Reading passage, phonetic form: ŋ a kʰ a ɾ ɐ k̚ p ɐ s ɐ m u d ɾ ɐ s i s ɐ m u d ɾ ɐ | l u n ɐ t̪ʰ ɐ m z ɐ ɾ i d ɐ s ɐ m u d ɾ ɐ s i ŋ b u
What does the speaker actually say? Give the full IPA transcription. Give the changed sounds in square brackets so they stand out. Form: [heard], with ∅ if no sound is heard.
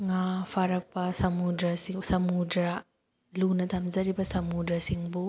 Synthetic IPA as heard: ŋ a [pʰ] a ɾ ɐ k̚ p ɐ s ɐ m u d ɾ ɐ s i s ɐ m u d ɾ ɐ | l u n ɐ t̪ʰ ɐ m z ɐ ɾ i [b] ɐ s ɐ m u d ɾ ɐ s i ŋ b u